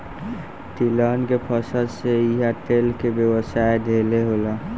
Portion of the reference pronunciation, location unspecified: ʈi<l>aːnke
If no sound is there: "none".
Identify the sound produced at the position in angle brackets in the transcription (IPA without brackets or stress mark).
l